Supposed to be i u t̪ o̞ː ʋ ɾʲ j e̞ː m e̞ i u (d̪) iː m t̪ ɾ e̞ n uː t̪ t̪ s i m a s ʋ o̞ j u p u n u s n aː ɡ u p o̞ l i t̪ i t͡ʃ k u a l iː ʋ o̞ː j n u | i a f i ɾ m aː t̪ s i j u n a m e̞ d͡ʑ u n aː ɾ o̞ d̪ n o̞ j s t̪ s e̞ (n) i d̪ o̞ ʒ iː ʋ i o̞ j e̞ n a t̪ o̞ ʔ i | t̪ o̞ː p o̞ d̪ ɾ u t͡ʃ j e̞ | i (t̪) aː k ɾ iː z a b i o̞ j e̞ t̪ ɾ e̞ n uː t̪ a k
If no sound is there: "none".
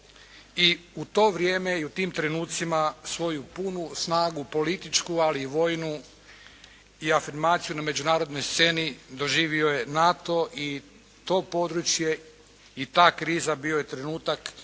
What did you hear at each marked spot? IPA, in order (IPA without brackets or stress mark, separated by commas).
t̪, n, t̪